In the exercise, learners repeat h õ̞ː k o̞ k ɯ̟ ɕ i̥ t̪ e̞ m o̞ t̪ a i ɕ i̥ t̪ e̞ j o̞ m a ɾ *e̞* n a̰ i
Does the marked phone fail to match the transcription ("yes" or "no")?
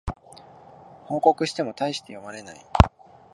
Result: no